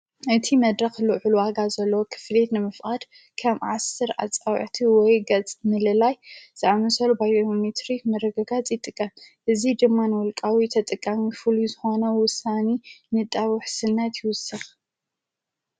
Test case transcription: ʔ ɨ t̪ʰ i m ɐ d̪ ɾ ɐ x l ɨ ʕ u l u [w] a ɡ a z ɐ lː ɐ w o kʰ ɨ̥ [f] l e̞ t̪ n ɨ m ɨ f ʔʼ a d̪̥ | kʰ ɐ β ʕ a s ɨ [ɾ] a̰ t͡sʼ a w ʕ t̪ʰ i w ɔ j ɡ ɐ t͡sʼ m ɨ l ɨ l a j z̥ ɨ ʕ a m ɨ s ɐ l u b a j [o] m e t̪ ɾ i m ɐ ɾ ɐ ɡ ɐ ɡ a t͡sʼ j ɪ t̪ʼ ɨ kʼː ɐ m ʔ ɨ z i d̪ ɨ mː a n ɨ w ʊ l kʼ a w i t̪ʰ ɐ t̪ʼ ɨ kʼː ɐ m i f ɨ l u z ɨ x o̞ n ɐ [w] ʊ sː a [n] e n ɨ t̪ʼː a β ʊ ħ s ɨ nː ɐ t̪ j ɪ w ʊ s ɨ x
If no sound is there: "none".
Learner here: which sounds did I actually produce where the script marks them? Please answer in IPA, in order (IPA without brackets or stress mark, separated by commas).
w, f, ɾ, o, w, n